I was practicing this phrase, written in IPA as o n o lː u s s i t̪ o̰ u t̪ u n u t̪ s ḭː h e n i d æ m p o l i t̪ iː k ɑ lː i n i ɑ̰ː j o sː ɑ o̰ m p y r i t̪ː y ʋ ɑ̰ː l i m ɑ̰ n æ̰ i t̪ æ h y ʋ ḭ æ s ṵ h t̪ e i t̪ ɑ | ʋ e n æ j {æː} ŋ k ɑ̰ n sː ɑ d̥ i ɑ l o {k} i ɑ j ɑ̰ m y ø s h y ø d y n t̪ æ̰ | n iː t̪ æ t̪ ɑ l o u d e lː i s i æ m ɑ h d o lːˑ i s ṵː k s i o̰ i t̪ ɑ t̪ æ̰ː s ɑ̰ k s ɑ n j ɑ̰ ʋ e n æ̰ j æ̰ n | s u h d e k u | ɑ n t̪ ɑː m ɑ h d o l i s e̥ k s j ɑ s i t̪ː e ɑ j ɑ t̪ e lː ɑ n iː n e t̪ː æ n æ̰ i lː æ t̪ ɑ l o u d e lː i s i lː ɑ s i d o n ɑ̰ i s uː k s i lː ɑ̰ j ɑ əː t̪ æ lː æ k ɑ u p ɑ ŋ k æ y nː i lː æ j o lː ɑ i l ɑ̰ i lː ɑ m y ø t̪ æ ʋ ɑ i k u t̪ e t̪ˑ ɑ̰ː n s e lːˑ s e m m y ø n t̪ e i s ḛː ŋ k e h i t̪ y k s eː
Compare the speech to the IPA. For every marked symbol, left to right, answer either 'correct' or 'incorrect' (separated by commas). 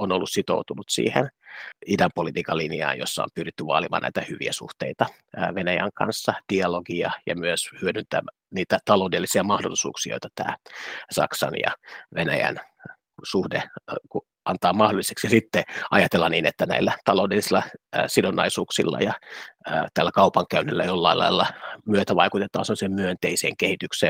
incorrect, incorrect